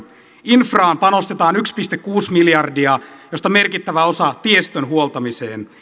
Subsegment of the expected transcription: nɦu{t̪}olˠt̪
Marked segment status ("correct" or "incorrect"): incorrect